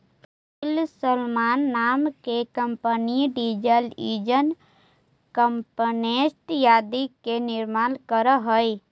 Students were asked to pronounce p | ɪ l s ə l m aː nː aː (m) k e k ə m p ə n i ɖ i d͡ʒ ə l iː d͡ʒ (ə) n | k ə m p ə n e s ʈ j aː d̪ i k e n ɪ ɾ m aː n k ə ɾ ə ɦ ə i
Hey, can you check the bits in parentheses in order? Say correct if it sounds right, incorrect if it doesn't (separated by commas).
correct, correct